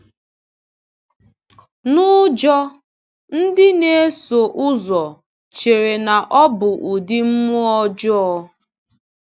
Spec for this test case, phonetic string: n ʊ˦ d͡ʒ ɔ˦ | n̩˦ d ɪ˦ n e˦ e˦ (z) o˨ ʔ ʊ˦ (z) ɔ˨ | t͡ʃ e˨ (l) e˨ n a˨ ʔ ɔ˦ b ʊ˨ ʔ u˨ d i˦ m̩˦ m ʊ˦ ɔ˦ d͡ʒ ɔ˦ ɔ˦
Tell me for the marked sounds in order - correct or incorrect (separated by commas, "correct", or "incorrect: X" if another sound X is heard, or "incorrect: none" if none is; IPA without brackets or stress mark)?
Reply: incorrect: s, correct, incorrect: ɾ